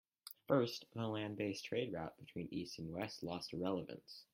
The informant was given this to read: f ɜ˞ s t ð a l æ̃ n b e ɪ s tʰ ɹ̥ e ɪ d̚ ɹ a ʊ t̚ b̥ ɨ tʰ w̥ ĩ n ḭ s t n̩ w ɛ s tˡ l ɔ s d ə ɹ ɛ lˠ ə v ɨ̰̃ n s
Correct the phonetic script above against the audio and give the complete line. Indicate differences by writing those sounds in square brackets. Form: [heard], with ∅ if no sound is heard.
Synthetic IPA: f ɜ˞ s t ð [ə] l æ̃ n b e ɪ s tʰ ɹ̥ e ɪ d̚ ɹ a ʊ t̚ b̥ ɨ tʰ w̥ ĩ n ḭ s t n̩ w ɛ s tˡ l ɔ s [t] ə ɹ ɛ lˠ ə v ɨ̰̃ n s